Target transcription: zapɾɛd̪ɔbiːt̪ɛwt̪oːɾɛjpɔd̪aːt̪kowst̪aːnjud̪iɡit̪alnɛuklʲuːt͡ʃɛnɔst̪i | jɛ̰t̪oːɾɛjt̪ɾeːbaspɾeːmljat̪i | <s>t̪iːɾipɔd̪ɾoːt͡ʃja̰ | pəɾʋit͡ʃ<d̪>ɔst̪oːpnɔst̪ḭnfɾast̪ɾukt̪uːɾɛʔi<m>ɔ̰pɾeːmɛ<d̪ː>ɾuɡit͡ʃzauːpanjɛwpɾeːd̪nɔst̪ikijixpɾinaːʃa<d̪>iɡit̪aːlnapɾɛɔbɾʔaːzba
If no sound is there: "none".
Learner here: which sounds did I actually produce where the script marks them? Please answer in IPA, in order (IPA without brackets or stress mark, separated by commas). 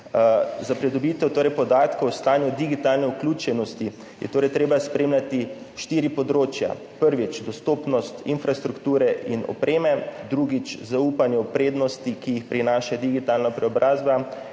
ʃ, d̪, n, d̪, d̪